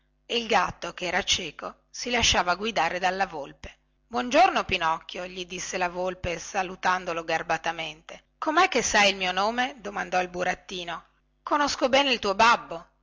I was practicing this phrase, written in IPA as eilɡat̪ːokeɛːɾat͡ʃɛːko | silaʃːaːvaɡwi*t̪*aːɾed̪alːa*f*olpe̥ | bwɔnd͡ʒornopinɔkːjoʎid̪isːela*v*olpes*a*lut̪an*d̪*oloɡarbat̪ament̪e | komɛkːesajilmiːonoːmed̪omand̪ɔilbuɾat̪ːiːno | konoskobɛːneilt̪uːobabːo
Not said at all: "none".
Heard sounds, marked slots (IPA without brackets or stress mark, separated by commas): d̪, v, v, a, d̪